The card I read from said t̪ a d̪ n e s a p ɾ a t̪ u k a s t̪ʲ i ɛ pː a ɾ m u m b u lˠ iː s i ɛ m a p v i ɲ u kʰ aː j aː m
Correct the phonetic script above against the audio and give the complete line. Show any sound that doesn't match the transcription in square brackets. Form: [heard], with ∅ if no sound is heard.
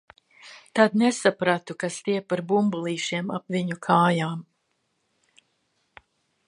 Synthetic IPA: t̪ a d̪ n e s a p ɾ a t̪ u k a s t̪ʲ i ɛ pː a ɾ [b] u m b u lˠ iː [ʃ] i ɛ m a p v i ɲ u kʰ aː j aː m